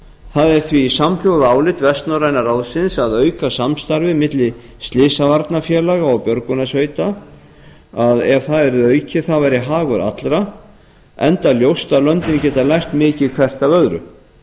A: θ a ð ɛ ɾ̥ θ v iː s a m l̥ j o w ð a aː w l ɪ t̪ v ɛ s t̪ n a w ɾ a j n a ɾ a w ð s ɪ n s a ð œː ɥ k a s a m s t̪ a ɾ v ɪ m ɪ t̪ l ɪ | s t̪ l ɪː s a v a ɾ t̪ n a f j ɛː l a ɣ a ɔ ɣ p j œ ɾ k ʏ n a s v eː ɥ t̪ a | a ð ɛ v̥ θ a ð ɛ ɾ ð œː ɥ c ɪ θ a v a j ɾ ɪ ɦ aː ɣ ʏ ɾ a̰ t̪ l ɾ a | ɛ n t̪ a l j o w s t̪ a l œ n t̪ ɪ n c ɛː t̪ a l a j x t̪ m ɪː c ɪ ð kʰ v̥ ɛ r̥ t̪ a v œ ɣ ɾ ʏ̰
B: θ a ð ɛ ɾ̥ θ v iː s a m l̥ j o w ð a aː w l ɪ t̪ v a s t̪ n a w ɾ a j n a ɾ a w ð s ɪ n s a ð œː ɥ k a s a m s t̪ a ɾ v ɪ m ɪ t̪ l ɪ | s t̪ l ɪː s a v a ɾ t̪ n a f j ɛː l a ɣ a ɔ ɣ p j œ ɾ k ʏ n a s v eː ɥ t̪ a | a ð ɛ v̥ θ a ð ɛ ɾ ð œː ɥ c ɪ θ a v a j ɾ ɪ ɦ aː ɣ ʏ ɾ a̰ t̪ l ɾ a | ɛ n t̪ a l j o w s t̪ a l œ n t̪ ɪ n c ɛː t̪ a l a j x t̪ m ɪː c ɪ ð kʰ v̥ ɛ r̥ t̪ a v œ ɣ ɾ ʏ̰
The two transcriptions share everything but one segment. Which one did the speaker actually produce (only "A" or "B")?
A